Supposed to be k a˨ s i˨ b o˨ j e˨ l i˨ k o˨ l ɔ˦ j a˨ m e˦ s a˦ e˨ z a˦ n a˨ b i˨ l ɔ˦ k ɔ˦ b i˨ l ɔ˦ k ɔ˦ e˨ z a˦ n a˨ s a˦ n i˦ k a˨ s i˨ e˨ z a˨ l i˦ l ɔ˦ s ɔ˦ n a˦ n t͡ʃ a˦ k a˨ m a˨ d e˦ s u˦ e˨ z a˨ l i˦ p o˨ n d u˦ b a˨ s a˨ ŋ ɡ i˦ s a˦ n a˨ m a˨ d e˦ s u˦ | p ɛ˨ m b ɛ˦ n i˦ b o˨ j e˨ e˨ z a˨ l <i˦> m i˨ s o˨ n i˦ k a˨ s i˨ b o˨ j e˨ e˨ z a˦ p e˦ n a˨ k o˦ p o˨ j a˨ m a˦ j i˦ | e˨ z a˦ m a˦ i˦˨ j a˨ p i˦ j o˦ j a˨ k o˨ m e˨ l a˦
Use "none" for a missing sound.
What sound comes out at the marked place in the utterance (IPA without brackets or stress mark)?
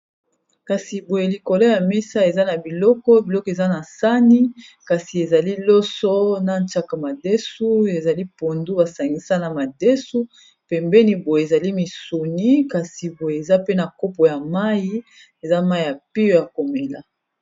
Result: i˦